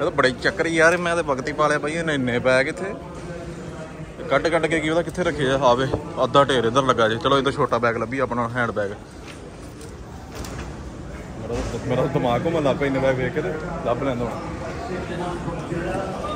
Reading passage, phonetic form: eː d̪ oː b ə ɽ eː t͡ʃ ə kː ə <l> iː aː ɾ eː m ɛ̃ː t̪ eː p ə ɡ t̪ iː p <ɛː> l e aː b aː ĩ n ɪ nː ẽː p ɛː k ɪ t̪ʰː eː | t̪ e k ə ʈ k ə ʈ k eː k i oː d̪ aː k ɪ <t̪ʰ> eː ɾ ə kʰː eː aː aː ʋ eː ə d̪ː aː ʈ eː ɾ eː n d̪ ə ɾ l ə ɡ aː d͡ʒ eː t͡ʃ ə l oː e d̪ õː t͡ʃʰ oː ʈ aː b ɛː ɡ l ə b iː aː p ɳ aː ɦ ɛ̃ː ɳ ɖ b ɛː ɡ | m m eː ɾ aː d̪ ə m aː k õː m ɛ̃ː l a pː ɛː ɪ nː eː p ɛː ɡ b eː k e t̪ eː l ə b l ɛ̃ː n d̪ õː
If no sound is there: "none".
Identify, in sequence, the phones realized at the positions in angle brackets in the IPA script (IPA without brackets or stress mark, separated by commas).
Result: ɾ, aː, t̪ʰ